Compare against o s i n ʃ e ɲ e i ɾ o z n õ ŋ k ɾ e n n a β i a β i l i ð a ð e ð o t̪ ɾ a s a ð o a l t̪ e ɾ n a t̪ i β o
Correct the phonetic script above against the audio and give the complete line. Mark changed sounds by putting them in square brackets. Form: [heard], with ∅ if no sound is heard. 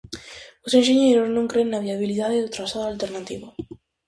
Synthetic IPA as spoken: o s [e] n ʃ e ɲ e [j] ɾ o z n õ ŋ k ɾ e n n a β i a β i l i ð a ð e ð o t̪ ɾ a s a ð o a l t̪ e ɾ n a t̪ i β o